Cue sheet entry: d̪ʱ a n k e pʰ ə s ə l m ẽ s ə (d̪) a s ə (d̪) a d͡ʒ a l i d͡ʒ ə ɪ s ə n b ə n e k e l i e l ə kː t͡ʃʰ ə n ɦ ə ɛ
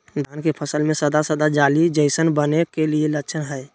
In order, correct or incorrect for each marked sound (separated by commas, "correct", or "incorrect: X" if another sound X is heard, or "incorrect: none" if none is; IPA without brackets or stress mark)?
correct, correct